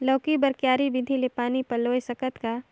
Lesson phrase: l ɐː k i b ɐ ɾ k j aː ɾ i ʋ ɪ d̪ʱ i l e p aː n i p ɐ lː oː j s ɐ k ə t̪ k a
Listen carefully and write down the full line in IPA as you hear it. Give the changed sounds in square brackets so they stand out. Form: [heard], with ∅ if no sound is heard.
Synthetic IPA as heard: l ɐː k i b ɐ ɾ k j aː ɾ i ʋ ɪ d̪ʱ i l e p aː n i p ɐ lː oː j s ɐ k ə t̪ k a